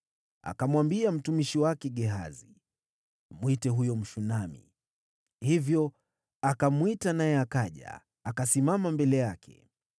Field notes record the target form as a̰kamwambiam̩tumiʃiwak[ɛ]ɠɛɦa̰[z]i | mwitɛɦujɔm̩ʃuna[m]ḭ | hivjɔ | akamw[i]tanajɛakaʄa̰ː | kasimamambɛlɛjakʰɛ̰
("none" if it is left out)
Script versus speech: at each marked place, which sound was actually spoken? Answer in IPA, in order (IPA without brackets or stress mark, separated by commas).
ɛ, z, m, i